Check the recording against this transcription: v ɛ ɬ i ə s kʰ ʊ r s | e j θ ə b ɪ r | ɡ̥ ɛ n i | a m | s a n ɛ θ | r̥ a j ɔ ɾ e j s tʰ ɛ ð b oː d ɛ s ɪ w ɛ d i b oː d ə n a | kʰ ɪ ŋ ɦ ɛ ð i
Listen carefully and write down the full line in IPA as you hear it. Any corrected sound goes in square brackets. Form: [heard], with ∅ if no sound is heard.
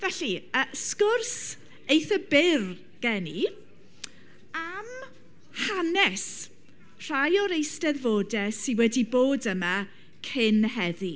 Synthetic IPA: v ɛ ɬ i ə s [k] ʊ r s | e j θ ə b ɪ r | ɡ̥ ɛ n i | a m | [h] a n ɛ [s] | r̥ a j ɔ ɾ e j s [t] ɛ ð [v] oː d ɛ s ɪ w ɛ d i b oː d ə [m] a | kʰ ɪ [n] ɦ ɛ ð i